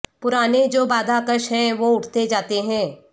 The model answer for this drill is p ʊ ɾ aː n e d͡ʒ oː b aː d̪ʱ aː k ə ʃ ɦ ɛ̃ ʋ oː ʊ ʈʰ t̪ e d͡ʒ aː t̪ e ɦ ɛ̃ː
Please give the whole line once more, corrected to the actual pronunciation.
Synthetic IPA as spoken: p ʊ ɾ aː n e d͡ʒ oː b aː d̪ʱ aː k ə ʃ ɦ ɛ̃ ʋ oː ʊ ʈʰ t̪ e d͡ʒ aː t̪ e ɦ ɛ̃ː